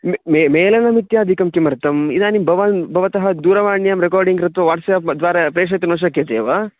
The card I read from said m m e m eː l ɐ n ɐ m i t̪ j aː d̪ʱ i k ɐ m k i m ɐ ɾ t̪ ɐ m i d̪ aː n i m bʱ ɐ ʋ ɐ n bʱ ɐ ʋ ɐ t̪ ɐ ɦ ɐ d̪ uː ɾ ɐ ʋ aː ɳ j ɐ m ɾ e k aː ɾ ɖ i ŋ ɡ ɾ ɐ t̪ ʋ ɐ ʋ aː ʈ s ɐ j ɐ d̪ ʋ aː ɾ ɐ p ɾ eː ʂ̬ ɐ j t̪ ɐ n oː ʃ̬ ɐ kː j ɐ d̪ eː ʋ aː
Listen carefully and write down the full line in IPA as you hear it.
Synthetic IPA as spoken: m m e m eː l ɐ n ɐ m i t̪ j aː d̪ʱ i k ɐ m k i m ɐ ɾ t̪ ɐ m i d̪ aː n i m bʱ ɐ ʋ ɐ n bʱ ɐ ʋ ɐ t̪ ɐ ɦ ɐ d̪ uː ɾ ɐ ʋ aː ɳ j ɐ m ɾ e k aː ɾ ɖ i ŋ ɡ ɾ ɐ t̪ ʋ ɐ ʋ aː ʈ s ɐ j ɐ d̪ ʋ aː ɾ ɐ p ɾ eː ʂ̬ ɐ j t̪ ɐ n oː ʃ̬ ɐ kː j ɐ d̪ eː ʋ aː